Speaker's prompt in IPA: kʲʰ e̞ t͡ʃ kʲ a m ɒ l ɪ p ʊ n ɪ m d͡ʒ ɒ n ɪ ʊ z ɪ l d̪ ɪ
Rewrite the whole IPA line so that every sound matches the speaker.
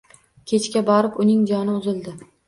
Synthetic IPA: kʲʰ e̞ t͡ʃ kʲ a b ɒ ɾ ɪ p ʊ n ɪ ŋ d͡ʒ ɒ n ɪ ʊ z ɪ l d̪ ɪ